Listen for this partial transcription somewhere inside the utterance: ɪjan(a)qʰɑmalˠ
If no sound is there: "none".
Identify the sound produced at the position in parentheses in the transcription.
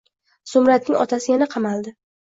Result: a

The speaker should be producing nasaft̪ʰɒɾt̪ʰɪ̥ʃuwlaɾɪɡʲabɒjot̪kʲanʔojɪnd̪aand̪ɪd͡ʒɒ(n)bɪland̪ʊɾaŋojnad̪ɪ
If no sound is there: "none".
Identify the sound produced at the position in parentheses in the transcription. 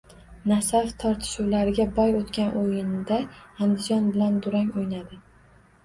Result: n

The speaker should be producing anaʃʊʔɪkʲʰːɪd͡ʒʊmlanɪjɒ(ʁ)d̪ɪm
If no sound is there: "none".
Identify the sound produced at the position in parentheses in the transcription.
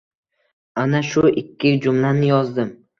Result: z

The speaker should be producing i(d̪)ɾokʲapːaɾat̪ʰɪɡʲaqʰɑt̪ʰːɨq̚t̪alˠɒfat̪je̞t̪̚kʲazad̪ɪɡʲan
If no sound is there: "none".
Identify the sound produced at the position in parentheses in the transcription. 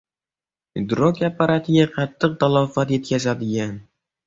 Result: d̪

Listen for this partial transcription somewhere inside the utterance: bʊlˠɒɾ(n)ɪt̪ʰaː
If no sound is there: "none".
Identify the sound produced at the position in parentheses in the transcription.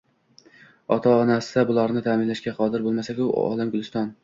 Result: n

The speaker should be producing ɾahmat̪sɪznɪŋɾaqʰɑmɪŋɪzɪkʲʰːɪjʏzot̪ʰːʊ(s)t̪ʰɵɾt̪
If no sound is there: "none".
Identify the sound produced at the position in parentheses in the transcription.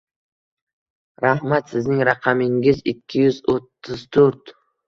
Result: z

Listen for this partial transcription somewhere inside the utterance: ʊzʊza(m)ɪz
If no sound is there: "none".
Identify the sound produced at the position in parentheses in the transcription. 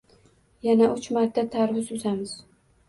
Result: m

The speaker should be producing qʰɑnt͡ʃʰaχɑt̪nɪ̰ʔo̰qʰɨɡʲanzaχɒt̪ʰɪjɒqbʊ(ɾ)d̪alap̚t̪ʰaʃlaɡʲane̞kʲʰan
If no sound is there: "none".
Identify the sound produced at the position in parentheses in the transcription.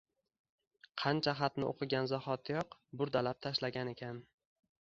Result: ɾ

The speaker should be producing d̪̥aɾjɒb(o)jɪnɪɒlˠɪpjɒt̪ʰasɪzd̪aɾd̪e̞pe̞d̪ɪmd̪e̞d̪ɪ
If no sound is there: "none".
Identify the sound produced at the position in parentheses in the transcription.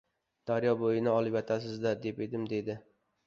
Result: o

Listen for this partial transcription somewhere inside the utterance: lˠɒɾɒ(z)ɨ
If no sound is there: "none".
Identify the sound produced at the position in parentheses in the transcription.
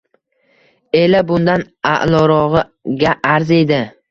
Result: ʁ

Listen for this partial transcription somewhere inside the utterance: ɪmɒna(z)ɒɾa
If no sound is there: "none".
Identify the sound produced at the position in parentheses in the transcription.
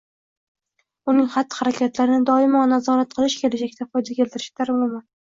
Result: z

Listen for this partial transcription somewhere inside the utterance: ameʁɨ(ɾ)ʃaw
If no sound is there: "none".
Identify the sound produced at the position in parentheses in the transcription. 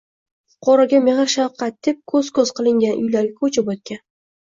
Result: ɾ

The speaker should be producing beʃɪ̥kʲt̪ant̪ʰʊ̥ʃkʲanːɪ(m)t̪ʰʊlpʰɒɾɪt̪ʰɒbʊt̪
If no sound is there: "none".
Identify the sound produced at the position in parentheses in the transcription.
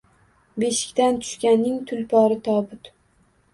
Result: ŋ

